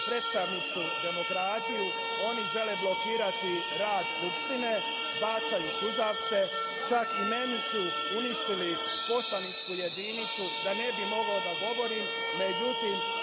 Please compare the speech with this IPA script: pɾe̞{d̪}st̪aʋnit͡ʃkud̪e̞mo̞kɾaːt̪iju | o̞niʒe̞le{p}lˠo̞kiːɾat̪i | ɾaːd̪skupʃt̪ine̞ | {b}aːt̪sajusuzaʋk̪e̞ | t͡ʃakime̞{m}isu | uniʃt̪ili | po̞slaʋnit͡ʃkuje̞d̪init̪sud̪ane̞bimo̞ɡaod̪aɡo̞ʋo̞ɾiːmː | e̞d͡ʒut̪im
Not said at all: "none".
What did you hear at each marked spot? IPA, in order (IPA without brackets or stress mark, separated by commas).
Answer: t̪, b, b, n